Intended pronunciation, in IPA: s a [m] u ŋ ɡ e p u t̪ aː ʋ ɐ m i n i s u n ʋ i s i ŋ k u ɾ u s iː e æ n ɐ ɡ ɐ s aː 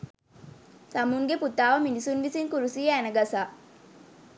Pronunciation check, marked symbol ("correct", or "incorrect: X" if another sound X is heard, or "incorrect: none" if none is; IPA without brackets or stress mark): correct